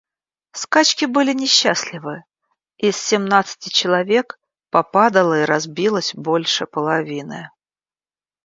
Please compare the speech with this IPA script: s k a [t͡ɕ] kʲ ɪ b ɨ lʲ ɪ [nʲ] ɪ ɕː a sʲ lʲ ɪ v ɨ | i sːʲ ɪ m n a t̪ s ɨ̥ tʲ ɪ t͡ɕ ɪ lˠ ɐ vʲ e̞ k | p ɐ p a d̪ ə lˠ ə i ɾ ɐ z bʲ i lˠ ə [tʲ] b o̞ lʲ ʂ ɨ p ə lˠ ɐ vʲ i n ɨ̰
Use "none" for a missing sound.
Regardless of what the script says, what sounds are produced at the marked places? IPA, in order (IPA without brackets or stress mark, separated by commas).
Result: t͡ɕ, nʲ, sʲ